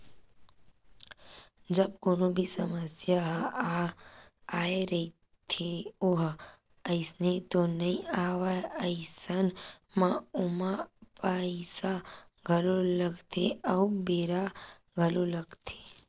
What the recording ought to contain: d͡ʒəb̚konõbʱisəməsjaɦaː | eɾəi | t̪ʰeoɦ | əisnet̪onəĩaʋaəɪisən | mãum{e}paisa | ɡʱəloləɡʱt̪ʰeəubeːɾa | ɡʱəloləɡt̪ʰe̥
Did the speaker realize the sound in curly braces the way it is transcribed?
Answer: no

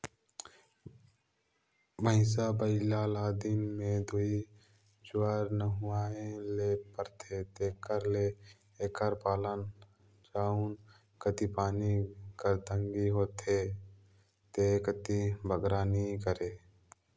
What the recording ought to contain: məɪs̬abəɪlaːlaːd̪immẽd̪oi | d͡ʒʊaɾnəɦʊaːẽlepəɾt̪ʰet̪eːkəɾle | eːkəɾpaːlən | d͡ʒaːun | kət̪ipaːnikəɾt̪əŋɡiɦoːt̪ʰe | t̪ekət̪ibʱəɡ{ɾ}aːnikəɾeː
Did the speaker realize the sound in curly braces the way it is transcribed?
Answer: yes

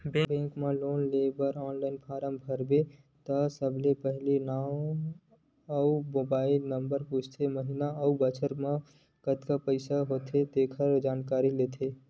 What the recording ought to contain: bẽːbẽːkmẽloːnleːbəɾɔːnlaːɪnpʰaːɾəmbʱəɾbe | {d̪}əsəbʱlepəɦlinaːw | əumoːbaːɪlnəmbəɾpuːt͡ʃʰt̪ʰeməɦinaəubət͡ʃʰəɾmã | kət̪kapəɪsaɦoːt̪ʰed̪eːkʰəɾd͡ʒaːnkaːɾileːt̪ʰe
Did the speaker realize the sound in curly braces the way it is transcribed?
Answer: no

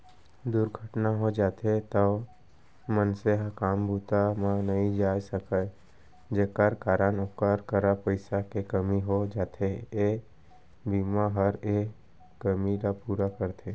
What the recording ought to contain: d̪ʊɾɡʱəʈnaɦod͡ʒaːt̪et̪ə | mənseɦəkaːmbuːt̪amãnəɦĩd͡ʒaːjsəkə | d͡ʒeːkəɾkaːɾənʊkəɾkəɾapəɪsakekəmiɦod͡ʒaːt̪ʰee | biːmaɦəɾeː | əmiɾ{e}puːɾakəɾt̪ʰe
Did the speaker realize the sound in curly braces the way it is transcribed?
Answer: no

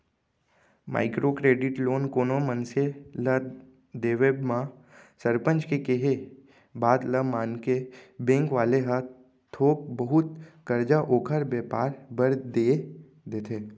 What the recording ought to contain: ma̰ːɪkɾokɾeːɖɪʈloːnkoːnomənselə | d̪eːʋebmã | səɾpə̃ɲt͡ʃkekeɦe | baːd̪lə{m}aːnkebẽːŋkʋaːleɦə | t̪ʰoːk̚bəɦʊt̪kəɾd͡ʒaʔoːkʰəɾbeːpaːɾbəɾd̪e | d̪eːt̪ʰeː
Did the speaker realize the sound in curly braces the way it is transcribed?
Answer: yes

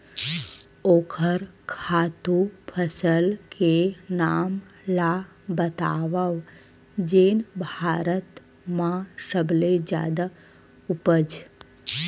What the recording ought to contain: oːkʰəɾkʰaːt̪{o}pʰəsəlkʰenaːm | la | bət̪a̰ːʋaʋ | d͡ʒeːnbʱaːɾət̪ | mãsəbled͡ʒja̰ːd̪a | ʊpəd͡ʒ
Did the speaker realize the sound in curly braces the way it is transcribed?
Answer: no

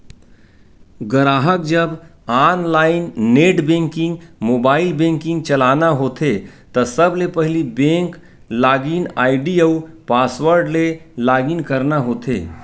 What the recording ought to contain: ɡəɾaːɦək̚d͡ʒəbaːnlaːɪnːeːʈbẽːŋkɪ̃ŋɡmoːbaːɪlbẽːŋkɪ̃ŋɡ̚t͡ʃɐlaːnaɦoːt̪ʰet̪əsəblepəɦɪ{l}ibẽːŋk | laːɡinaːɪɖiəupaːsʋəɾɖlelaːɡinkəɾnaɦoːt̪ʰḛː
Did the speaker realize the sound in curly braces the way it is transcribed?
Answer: yes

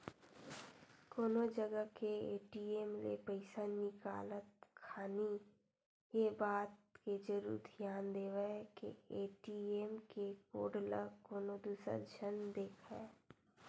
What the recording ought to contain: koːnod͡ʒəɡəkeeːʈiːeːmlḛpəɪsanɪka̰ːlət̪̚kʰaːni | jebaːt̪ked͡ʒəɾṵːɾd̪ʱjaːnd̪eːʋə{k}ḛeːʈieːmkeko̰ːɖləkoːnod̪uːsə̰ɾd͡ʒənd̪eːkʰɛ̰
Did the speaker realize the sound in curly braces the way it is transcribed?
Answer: yes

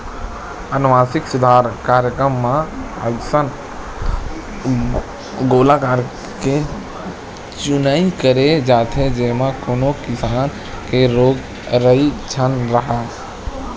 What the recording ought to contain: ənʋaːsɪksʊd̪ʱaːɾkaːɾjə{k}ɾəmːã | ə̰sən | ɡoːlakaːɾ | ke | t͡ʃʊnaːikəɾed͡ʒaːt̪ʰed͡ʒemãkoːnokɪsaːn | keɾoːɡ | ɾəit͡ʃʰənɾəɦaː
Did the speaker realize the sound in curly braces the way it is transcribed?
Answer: yes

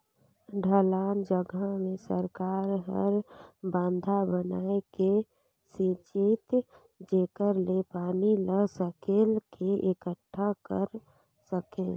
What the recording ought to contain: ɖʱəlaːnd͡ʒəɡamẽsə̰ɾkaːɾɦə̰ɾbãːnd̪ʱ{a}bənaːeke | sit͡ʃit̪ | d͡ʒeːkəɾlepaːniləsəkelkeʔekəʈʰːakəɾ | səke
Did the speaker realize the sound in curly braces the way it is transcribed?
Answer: yes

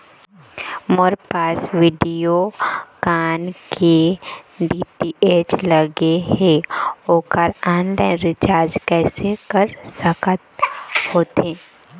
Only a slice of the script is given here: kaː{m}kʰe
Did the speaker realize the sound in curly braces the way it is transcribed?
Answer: no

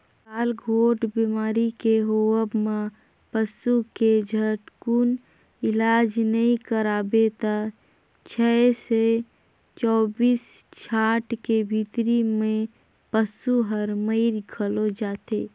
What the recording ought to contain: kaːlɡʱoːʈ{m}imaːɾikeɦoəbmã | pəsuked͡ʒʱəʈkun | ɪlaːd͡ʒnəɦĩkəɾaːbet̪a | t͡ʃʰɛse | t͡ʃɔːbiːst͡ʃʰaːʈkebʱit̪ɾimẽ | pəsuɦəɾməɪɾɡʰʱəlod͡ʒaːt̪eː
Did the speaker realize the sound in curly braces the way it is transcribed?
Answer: no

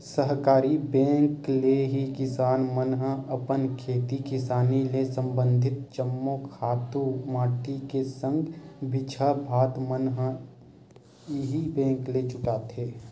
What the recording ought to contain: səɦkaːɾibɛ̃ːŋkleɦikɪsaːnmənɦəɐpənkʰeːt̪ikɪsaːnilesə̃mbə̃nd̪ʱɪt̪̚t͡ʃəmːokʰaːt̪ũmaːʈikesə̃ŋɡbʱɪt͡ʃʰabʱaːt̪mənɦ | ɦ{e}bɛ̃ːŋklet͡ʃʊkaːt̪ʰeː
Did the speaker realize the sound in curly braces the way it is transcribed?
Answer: no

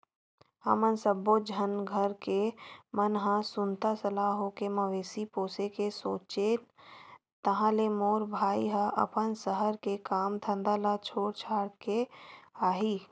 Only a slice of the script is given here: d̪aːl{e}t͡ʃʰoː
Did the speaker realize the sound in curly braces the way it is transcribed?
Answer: no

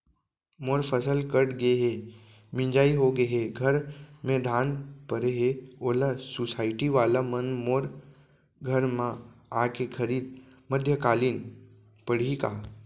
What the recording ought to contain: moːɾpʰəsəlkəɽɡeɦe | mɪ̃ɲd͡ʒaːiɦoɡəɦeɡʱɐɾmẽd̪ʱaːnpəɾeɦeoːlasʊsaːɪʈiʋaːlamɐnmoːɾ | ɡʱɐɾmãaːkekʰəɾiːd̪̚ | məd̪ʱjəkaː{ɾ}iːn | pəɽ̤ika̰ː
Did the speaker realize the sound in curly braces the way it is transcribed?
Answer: no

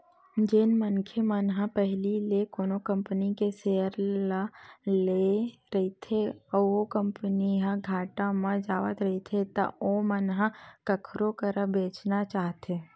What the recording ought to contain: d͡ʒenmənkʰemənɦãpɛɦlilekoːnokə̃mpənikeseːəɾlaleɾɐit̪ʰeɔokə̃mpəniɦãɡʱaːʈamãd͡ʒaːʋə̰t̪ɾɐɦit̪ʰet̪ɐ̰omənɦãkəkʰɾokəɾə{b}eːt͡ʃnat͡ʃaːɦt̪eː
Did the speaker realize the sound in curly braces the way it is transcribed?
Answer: yes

